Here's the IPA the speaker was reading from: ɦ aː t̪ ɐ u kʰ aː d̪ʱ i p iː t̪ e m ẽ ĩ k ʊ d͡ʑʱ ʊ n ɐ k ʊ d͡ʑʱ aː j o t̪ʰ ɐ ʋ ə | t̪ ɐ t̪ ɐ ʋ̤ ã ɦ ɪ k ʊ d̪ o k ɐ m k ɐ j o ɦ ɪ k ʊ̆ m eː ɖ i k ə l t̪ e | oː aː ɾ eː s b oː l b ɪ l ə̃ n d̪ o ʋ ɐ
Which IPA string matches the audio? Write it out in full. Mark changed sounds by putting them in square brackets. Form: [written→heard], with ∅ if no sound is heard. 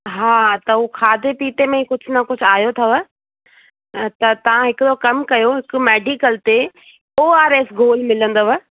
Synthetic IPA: ɦ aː t̪ ɐ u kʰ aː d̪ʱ [i→e] p iː t̪ e m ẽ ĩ k ʊ d͡ʑʱ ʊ n ɐ k ʊ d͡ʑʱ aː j o t̪ʰ ɐ ʋ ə | t̪ ɐ t̪ ɐ ʋ̤ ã ɦ ɪ k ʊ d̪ o k ɐ m k ɐ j o ɦ ɪ k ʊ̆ m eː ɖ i k ə l t̪ e | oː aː ɾ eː s [b→ɡ] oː l [b→m] ɪ l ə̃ n d̪ o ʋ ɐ